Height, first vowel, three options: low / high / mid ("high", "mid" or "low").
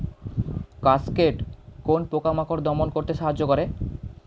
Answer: low